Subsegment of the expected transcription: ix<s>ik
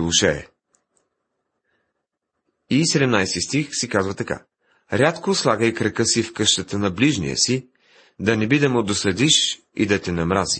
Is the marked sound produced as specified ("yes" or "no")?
yes